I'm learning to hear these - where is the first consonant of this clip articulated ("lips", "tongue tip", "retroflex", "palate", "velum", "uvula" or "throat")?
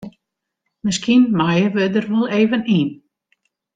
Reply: lips